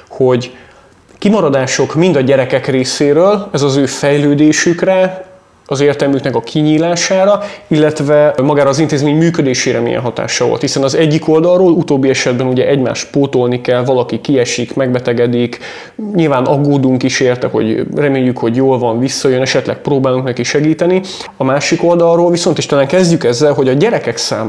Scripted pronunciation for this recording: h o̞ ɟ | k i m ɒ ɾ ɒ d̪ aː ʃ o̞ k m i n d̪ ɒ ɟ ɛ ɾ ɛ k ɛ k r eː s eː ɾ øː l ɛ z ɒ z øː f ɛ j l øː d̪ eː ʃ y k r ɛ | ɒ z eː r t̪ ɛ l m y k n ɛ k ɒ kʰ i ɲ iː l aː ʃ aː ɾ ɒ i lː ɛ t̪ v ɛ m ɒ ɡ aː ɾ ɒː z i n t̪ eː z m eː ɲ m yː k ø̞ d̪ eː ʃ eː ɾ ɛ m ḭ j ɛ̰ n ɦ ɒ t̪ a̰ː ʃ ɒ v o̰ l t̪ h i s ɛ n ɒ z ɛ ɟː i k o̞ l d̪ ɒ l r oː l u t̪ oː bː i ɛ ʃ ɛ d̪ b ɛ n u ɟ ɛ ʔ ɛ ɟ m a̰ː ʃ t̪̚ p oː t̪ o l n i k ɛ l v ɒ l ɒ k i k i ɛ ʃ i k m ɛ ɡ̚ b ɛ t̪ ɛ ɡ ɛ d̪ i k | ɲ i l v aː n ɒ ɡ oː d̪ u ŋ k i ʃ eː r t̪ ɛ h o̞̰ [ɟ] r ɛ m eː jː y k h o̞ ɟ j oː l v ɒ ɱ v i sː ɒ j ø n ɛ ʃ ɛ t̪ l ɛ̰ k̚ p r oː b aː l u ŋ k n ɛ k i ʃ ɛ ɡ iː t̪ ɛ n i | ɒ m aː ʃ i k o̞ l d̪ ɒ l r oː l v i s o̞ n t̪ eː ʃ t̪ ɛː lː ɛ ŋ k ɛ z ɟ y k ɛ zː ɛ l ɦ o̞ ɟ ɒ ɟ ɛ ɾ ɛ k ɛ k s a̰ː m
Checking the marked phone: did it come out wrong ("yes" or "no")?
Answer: no